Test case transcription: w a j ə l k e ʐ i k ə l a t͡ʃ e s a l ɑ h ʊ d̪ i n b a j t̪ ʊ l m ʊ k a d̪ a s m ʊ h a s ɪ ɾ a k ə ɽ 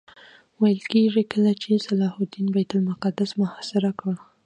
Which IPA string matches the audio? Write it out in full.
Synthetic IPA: w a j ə l k e ʐ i k ə l a t͡ʃ e s a l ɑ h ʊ d̪ i n b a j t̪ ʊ l m ʊ q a d̪ a s m ʊ h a s ɪ ɾ a k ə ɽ